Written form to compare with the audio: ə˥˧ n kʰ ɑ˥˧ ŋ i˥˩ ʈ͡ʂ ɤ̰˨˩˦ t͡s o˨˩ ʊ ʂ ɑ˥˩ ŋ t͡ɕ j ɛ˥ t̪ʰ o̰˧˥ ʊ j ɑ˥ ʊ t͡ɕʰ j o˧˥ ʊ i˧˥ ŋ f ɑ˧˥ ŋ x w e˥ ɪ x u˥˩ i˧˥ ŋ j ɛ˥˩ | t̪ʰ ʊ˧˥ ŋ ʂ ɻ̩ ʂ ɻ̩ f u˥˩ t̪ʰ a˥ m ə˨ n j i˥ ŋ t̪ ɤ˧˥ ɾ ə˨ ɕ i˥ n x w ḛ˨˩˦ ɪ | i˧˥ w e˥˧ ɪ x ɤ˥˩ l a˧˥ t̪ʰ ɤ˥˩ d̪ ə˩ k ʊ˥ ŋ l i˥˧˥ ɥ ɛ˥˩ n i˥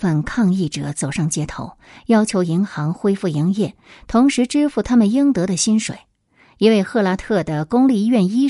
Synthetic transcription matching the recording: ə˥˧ n kʰ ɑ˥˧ ŋ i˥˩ ʈ͡ʂ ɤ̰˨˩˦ t͡s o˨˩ ʊ ʂ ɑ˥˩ ŋ t͡ɕ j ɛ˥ t̪ʰ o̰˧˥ ʊ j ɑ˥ ʊ t͡ɕʰ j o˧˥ ʊ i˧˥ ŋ x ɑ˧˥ ŋ x w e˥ ɪ f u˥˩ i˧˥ ŋ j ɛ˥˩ | t̪ʰ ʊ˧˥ ŋ ʂ ɻ̩ ʈ͡ʂ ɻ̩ f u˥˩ t̪ʰ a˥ m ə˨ n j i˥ ŋ t̪ ɤ˧˥ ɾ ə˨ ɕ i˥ n ʂ w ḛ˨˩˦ ɪ | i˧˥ w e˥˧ ɪ x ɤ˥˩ l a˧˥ t̪ʰ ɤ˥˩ d̪ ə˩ k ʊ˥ ŋ l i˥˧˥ ɥ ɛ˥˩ n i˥